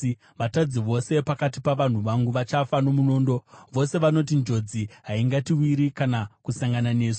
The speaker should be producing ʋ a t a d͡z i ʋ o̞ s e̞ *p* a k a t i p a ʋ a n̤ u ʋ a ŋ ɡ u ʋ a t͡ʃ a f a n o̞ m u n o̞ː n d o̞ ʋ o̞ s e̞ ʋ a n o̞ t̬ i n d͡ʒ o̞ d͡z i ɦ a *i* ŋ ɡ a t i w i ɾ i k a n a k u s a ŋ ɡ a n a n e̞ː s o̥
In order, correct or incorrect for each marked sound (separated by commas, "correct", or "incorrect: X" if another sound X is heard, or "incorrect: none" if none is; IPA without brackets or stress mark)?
correct, correct